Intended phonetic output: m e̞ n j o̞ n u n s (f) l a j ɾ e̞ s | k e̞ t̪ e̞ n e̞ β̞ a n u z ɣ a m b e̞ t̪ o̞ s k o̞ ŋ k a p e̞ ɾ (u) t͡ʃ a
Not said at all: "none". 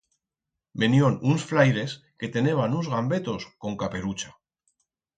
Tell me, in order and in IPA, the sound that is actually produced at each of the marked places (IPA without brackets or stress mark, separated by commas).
f, u